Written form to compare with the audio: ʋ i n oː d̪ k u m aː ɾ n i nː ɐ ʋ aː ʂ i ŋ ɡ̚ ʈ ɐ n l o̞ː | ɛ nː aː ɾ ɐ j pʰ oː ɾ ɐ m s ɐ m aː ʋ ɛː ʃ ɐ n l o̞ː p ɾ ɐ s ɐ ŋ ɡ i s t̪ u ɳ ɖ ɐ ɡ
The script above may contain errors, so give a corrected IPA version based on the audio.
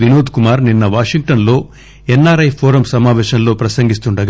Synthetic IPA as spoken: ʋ i n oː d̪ k u m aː ɾ n i nː ɐ ʋ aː ʂ i ŋ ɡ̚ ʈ ɐ n l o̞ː | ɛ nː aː ɾ ɐ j pʰ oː ɾ ɐ m s ɐ m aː ʋ ɛː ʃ ɐ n l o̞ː p ɾ ɐ s ɐ ŋ ɡ i s t̪ u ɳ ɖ ɐ ɡ